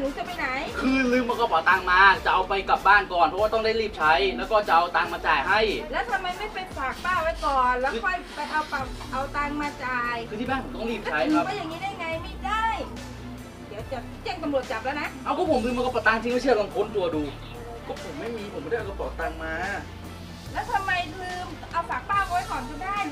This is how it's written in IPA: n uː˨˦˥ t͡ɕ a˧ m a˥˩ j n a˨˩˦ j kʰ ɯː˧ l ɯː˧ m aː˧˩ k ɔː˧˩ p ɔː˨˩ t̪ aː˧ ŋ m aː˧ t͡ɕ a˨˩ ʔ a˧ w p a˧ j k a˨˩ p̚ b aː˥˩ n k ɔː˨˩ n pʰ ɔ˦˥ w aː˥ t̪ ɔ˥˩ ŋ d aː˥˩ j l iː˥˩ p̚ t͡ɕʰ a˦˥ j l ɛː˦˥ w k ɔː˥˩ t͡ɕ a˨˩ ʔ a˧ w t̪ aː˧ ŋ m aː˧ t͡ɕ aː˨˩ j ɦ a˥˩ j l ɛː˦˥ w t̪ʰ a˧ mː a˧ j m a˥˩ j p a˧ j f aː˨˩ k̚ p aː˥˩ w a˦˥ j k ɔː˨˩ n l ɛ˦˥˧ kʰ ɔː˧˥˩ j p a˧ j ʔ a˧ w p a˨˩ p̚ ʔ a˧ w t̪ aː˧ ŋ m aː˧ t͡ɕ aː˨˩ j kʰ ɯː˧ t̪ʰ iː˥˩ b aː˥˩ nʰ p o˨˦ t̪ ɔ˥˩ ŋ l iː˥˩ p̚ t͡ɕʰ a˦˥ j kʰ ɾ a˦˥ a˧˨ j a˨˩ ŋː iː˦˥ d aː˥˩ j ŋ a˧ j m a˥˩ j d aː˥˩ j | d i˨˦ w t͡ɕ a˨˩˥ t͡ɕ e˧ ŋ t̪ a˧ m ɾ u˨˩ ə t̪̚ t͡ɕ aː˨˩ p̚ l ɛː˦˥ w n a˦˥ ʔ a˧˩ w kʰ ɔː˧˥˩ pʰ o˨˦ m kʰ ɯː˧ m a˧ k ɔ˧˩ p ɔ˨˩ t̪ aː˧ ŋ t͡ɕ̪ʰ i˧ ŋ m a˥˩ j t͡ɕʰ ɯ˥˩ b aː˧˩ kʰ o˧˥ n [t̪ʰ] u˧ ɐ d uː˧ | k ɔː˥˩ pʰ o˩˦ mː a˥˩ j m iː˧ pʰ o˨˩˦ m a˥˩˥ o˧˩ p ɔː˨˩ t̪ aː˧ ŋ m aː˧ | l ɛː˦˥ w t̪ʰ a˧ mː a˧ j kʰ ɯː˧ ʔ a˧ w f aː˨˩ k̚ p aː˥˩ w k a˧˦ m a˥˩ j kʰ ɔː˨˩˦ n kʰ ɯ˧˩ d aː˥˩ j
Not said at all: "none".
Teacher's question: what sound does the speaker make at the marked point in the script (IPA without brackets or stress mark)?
t̪